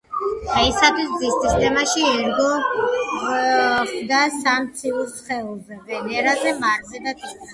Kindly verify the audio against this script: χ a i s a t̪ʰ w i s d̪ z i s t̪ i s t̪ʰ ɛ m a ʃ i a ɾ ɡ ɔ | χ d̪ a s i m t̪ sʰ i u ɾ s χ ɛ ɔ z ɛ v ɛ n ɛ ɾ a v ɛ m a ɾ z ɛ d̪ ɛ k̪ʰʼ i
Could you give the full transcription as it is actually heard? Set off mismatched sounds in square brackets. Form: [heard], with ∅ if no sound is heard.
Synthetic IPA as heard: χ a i s a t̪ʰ w i s d̪ z i s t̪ i s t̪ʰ ɛ m a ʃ i [ɛ] ɾ ɡ ɔ | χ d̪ a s [a] m t̪ sʰ i u ɾ s χ ɛ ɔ z ɛ v ɛ n ɛ ɾ a [z] ɛ m a ɾ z ɛ d̪ [a] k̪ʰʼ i